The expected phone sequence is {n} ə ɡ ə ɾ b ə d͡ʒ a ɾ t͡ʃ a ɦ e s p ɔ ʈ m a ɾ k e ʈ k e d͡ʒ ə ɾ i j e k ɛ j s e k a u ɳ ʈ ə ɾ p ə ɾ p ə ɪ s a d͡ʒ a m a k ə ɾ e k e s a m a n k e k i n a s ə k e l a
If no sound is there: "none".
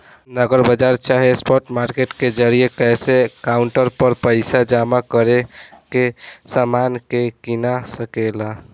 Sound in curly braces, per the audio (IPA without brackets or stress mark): n